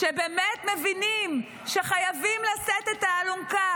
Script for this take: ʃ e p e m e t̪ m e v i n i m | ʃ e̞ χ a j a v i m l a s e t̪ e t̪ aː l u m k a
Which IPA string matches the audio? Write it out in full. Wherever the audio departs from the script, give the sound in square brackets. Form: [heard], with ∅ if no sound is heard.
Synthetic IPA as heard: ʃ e [b] e m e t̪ m e v i n i m | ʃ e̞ χ a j a v i m l a s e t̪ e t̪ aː l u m k a